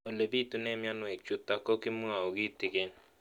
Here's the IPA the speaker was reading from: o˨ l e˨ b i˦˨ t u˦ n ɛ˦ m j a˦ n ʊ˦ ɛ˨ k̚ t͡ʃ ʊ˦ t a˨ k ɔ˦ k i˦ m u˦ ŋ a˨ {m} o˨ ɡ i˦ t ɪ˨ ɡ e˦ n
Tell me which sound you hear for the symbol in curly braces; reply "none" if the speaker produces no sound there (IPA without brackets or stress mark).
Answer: none